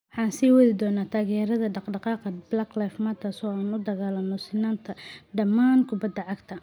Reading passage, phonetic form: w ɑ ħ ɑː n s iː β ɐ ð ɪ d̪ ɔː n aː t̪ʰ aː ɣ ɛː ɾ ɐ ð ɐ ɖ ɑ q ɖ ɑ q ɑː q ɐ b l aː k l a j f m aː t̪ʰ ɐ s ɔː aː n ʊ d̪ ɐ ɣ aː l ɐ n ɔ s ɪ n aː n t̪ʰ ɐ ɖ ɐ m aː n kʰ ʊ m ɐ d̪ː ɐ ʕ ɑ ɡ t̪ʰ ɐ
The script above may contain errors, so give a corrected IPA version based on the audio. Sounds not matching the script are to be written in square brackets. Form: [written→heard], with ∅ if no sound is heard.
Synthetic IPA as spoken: w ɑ ħ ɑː n s iː [β→w] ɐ ð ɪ d̪ ɔː n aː t̪ʰ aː ɣ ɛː ɾ ɐ ð ɐ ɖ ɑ q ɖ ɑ q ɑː q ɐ b l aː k l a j f m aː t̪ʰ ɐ s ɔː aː n ʊ d̪ ɐ ɣ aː l ɐ n ɔ s ɪ n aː n t̪ʰ ɐ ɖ ɐ m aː n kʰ ʊ [m→b] ɐ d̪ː ɐ ʕ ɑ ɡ t̪ʰ ɐ